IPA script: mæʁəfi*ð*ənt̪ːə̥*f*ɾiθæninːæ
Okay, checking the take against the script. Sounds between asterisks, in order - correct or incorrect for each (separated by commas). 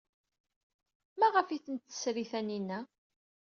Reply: incorrect, incorrect